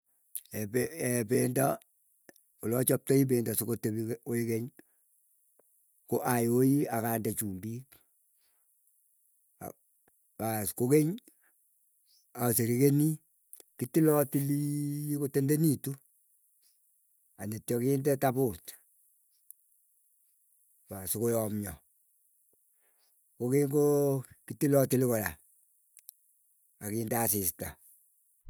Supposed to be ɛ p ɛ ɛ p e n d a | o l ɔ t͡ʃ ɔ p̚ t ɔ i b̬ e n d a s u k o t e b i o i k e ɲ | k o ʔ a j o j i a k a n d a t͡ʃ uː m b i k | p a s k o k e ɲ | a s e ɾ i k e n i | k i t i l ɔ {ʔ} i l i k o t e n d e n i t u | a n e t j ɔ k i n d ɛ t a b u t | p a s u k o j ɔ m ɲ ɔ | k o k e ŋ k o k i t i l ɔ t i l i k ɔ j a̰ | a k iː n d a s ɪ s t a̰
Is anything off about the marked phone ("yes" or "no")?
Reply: yes